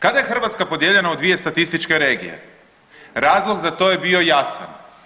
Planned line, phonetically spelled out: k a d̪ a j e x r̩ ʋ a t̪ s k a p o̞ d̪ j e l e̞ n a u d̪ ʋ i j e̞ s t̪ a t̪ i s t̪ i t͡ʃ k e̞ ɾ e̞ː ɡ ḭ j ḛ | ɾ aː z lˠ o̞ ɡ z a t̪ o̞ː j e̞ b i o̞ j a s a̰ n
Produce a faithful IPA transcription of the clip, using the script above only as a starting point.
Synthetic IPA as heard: k a d̪ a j e x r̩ ʋ a t̪ s k a p o̞ d̪ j e ʎ e̞ n a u d̪ ʋ i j e̞ s t̪ a t̪ i s t̪ i t͡ʃ k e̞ ɾ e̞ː ɡ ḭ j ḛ | ɾ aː z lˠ o̞ ɡ z a t̪ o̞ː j e̞ b i o̞ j a s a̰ n